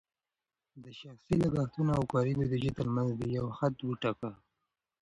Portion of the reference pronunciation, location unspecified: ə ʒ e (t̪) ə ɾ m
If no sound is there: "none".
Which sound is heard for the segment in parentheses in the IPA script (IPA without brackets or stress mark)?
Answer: t̪